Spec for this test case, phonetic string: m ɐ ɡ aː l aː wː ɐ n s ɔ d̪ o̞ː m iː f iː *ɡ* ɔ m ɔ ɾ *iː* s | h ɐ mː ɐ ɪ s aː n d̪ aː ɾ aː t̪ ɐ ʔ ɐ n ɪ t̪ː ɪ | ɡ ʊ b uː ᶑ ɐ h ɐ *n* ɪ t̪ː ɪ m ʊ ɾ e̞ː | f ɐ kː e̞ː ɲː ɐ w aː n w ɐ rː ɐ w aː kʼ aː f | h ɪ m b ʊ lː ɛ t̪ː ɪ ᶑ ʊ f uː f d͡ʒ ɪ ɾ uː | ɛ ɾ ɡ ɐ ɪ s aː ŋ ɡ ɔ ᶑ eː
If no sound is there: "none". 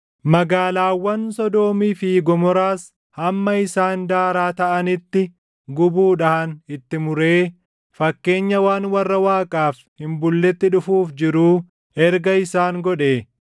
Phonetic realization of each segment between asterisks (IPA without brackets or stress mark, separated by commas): ɡ, aː, n